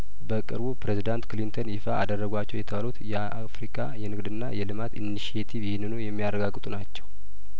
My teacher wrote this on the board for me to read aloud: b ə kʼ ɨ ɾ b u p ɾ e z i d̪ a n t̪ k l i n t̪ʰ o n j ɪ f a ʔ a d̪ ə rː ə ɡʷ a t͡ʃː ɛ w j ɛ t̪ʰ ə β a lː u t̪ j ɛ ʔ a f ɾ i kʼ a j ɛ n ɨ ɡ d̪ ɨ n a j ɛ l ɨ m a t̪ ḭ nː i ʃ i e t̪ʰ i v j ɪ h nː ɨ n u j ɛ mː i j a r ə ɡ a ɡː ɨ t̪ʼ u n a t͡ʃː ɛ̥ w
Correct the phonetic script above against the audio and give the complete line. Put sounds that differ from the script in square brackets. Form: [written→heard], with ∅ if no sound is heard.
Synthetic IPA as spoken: b ə kʼ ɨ ɾ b u p ɾ e z i d̪ a n t̪ k l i n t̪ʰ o n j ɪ f a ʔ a d̪ ə rː ə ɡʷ a t͡ʃː ɛ w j ɛ t̪ʰ ə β a [lː→l] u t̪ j ɛ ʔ a f ɾ i kʼ a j ɛ n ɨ ɡ d̪ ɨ [n→nː] a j ɛ l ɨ m a t̪ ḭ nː i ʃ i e t̪ʰ i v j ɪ h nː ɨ n u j ɛ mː i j a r ə ɡ a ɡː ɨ t̪ʼ u n a t͡ʃː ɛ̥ w